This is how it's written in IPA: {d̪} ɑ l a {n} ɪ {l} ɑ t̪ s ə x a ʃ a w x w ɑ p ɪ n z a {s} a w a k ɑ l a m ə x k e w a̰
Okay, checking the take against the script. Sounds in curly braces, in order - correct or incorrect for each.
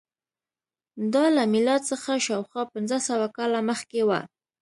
correct, incorrect, correct, correct

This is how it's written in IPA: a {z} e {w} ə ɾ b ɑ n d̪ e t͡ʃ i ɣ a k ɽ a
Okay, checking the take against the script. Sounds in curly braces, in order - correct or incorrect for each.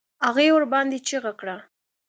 incorrect, correct

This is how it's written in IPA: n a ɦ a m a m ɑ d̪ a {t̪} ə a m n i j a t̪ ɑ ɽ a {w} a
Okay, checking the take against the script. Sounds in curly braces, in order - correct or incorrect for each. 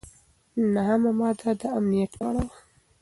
incorrect, correct

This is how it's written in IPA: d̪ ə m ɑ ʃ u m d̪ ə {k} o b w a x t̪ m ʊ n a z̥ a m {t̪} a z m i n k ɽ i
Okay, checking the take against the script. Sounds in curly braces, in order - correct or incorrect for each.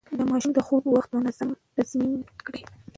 incorrect, correct

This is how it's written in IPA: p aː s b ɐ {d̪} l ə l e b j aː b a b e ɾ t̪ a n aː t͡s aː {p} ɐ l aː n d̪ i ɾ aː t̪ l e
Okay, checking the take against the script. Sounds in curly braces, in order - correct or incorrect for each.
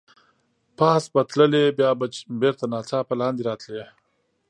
incorrect, correct

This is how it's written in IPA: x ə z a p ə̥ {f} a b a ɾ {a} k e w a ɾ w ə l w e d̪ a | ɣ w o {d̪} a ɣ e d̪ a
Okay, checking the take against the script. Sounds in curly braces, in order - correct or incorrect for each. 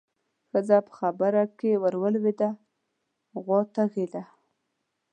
incorrect, correct, incorrect

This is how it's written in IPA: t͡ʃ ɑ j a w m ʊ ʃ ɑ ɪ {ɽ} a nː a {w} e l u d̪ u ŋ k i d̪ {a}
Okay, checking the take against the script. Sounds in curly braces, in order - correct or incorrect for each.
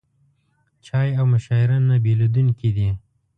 incorrect, incorrect, incorrect

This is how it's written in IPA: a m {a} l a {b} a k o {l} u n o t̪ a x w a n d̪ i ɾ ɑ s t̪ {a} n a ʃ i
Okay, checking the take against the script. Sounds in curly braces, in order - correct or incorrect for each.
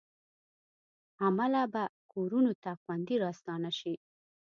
correct, correct, incorrect, incorrect

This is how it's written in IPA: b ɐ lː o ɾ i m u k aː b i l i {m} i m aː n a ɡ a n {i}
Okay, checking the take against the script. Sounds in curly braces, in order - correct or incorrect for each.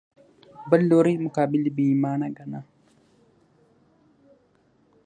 incorrect, incorrect

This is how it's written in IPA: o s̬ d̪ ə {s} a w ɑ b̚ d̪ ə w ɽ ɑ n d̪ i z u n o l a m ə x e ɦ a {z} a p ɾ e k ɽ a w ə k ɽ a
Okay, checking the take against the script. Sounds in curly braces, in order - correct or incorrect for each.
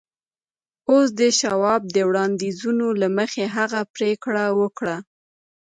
incorrect, incorrect

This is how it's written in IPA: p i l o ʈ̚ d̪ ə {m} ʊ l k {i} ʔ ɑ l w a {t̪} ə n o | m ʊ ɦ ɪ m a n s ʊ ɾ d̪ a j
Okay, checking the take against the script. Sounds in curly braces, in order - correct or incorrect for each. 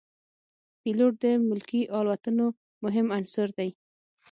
correct, correct, correct

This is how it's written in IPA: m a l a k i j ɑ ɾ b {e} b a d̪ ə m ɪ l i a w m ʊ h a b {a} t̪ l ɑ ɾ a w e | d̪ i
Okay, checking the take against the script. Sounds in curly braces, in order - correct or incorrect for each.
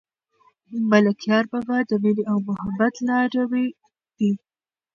incorrect, correct

